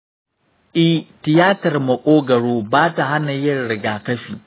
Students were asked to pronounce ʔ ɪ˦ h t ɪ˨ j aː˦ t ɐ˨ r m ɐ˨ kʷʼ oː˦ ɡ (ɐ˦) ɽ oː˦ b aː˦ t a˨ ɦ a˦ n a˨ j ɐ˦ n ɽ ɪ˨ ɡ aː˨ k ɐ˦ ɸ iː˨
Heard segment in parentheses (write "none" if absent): ɐ˨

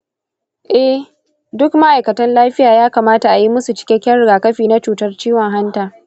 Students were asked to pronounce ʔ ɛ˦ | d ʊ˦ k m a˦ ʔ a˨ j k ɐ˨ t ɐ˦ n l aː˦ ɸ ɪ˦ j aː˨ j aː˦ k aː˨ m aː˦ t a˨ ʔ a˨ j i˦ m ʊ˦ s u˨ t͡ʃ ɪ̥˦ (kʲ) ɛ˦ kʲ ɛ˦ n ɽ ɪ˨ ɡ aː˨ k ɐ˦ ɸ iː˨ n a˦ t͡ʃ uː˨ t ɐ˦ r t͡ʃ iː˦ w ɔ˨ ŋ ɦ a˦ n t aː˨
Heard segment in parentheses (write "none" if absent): kʲ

